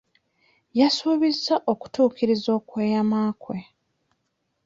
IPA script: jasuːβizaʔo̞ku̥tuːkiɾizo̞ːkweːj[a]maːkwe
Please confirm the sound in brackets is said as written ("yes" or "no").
yes